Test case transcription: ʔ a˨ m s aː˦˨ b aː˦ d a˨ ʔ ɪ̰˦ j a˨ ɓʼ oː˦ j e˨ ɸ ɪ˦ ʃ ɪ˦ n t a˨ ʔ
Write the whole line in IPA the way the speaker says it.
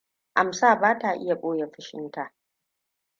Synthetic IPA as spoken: ʔ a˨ m s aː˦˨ b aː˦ t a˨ ʔ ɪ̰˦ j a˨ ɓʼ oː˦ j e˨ ɸ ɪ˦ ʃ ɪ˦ n t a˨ ʔ